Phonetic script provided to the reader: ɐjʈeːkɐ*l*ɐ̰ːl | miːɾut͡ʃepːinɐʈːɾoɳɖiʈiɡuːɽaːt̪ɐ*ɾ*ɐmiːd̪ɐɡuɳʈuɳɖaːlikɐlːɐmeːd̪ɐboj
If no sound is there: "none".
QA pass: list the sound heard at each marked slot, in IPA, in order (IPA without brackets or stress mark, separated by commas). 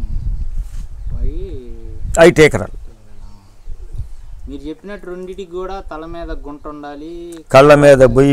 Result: ɾ, l